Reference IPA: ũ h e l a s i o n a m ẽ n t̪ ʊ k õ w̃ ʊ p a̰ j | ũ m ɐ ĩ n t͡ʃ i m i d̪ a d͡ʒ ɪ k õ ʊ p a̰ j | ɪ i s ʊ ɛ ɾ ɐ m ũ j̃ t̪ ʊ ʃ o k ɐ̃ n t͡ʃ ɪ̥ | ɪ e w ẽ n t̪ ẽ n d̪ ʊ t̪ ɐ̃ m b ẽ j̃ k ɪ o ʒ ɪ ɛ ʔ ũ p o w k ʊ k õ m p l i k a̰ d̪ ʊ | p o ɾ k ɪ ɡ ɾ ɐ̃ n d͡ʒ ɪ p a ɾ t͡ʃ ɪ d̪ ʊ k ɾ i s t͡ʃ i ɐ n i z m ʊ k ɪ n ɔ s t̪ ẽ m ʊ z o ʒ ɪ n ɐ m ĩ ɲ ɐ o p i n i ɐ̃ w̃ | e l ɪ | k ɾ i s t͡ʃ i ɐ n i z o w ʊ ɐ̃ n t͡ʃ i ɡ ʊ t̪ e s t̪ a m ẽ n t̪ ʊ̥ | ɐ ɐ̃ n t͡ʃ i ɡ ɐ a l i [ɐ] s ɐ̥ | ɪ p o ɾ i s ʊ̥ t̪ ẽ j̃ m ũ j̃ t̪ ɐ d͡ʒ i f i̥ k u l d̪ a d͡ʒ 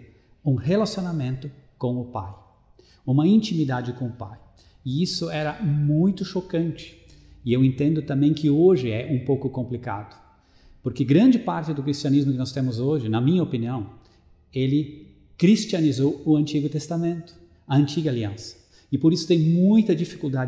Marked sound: incorrect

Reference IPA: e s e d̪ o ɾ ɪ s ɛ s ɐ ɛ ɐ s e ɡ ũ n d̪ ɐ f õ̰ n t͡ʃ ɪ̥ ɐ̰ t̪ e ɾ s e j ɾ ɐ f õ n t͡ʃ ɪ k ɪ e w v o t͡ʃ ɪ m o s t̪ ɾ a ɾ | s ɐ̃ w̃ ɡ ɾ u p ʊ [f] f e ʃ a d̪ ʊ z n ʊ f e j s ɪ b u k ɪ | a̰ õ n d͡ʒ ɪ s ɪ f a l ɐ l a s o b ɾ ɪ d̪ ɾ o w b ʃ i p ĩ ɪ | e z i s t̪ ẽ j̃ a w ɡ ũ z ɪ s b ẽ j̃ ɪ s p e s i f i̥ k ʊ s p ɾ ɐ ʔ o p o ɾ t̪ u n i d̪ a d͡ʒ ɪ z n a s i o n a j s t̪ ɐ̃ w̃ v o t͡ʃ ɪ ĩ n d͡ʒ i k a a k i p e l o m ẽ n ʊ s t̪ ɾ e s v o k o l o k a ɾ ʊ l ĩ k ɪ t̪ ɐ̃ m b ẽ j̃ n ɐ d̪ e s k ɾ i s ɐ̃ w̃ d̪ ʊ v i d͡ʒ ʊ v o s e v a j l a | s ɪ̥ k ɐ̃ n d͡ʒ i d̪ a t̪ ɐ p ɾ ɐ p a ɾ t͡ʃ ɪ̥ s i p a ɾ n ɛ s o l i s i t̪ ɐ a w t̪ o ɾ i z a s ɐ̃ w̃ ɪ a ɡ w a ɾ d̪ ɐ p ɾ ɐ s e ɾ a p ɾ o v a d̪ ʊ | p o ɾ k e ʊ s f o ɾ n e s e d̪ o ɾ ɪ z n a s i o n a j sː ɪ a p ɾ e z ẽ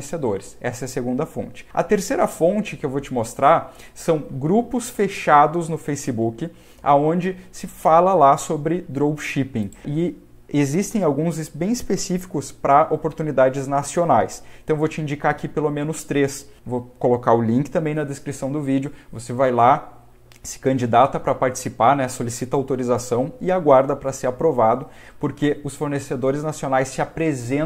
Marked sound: incorrect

